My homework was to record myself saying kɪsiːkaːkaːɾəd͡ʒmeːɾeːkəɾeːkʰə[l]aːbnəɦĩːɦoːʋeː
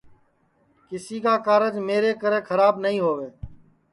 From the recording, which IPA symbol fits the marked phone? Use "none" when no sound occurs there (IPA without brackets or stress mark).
ɾ